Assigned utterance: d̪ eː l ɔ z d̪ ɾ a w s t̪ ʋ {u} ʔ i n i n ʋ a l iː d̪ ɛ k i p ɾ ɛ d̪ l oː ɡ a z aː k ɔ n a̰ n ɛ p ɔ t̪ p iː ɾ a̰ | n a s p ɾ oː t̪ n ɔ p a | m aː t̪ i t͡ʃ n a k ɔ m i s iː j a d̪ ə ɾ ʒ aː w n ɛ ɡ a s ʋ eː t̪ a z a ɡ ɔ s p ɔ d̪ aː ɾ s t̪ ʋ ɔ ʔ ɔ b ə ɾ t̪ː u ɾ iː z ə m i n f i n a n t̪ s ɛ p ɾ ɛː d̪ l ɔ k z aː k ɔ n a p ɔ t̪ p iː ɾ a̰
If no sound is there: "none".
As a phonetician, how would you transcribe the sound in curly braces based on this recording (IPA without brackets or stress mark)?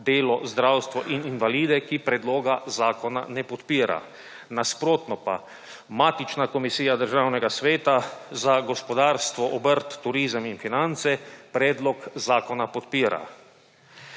ɔ